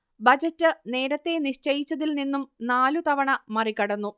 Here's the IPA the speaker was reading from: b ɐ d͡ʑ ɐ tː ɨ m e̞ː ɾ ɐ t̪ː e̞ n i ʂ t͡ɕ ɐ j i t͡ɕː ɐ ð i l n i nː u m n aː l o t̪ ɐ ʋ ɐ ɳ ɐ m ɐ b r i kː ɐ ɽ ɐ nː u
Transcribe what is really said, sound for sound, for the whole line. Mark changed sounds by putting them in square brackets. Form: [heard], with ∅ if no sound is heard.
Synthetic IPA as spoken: b ɐ d͡ʑ ɐ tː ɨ [n] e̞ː ɾ ɐ t̪ː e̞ n i ʂ t͡ɕ ɐ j i t͡ɕː ɐ ð i l n i nː u m n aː l [u] t̪ ɐ ʋ ɐ ɳ ɐ m ɐ [∅] r i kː ɐ ɽ ɐ nː u